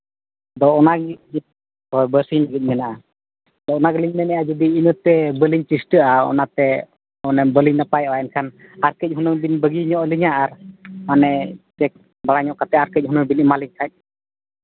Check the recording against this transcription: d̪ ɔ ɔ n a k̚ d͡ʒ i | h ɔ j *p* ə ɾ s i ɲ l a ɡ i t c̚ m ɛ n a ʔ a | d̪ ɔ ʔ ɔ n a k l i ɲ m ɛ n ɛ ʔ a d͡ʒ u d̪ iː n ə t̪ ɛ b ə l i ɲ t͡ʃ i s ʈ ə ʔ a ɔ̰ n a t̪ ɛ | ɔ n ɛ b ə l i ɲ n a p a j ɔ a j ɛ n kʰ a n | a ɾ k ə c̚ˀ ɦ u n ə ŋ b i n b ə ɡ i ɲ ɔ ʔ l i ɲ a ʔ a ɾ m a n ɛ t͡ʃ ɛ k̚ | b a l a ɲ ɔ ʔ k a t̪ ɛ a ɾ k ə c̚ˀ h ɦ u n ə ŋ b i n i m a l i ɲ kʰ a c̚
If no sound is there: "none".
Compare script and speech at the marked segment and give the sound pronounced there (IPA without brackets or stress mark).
b